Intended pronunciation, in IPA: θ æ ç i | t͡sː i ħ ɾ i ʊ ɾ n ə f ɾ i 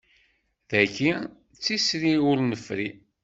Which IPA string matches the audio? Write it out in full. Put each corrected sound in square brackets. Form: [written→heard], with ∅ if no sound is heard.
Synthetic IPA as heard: [θ→ð] æ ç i | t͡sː i [ħ→s] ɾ i ʊ ɾ n ə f ɾ i